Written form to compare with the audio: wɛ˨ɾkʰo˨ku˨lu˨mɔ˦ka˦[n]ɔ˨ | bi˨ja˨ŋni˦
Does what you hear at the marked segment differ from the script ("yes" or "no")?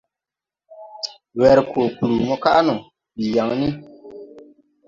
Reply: no